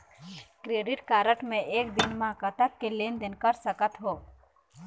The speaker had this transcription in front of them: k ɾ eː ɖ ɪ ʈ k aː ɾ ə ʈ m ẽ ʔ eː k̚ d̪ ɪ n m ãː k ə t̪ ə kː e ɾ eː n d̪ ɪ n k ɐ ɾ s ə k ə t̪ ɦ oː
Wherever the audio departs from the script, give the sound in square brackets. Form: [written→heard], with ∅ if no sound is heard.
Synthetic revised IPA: k ɾ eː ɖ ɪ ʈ k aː ɾ ə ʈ m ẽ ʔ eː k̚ d̪ ɪ n m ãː k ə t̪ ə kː e [ɾ→l] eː n d̪ ɪ n k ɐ ɾ s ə k ə t̪ ɦ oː